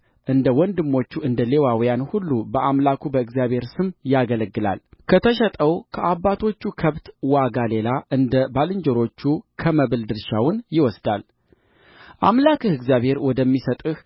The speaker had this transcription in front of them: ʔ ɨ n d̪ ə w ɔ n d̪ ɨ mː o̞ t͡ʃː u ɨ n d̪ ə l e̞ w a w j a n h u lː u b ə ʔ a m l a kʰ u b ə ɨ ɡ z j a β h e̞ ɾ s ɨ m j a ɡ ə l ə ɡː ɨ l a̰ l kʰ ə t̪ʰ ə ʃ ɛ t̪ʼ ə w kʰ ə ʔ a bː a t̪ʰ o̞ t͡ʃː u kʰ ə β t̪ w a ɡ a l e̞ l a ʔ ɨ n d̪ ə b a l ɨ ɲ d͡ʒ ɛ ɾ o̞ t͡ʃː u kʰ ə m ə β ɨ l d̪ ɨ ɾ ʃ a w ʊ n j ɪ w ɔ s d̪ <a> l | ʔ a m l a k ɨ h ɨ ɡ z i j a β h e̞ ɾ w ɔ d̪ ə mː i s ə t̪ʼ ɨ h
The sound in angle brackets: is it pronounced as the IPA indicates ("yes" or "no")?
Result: yes